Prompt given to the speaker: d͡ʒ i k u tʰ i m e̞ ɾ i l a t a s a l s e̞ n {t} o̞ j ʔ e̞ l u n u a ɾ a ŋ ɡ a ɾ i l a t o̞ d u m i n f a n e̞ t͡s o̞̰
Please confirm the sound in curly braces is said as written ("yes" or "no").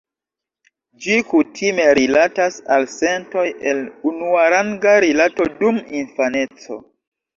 yes